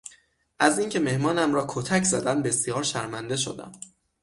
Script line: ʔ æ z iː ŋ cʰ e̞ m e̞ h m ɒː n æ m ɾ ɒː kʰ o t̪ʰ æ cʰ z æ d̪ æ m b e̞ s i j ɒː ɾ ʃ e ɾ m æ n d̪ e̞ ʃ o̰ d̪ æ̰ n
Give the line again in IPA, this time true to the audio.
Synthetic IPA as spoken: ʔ æ z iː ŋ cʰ e̞ m e̞ h m ɒː n æ m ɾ ɒː kʰ o t̪ʰ æ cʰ z æ d̪ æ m b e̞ s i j ɒː ɾ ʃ æ ɾ m æ n d̪ e̞ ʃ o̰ d̪ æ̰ m